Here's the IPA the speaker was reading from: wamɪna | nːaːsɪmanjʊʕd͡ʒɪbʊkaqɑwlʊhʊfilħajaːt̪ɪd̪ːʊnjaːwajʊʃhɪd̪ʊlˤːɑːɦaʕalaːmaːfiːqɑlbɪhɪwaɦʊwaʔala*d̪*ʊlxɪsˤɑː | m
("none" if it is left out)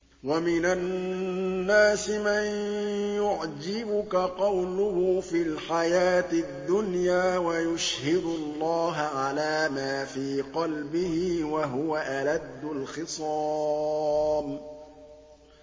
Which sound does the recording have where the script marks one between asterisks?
d̪ː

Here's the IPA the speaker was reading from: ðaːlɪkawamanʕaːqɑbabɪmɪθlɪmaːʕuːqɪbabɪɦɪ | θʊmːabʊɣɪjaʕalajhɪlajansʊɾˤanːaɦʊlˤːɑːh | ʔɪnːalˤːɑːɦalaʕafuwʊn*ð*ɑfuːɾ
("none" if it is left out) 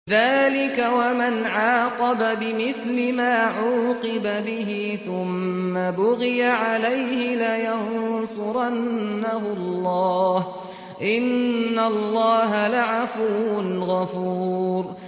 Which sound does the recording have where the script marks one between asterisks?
ɣ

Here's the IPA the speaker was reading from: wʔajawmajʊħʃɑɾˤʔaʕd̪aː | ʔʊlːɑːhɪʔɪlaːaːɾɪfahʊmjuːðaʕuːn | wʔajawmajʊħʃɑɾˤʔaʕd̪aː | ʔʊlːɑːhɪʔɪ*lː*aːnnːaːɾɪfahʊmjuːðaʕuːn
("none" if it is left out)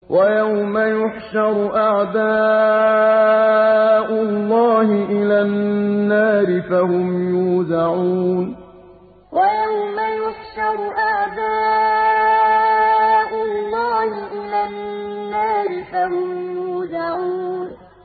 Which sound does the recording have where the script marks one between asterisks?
l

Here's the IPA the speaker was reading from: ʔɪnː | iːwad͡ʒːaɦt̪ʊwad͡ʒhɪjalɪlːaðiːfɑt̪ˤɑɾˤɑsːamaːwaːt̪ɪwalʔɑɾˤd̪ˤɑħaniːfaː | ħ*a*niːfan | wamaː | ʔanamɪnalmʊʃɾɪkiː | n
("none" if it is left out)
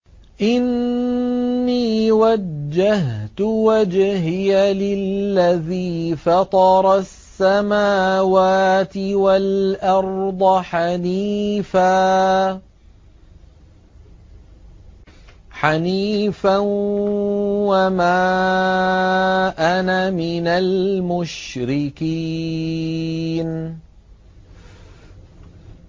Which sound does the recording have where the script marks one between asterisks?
a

